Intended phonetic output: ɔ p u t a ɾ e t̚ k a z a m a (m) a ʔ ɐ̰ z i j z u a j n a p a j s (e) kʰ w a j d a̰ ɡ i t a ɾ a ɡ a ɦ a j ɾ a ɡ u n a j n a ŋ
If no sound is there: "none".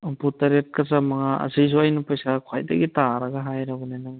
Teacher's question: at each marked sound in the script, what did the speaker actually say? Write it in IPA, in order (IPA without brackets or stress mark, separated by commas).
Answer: ŋ, a